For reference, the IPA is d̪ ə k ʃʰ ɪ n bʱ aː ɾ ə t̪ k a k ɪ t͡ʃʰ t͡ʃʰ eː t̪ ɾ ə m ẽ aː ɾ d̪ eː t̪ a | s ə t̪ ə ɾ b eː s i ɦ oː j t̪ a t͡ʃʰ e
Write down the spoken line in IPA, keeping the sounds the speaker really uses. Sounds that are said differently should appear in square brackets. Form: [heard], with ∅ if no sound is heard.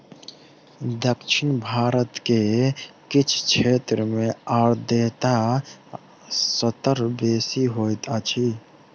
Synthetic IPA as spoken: d̪ ə k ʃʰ ɪ n bʱ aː ɾ ə t̪ k [e] k ɪ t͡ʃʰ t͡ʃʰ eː t̪ ɾ ə m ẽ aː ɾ d̪ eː t̪ a | s ə t̪ ə ɾ b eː s i ɦ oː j t̪ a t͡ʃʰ [i]